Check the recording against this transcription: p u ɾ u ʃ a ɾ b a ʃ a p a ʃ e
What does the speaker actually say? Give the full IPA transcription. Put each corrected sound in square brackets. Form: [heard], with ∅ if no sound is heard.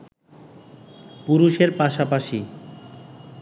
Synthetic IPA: p u ɾ u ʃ [e] ɾ [p] a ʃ a p a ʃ [i]